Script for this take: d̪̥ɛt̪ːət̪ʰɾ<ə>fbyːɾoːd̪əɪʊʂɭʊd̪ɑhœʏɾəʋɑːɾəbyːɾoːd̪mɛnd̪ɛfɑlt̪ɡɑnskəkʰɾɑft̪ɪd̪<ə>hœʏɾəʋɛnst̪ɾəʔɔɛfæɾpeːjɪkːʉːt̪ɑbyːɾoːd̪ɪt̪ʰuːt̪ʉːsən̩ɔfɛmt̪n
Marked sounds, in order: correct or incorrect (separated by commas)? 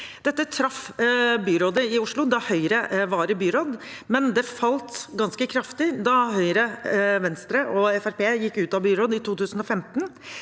incorrect, incorrect